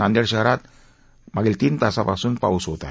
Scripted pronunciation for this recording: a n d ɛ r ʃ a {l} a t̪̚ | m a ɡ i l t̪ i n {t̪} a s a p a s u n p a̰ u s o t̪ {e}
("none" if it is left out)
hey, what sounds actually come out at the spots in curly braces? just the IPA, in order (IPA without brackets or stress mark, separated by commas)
ɾ, t̪, a